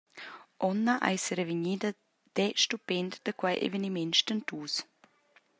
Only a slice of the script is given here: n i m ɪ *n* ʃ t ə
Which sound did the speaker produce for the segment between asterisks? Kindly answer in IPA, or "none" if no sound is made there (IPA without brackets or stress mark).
n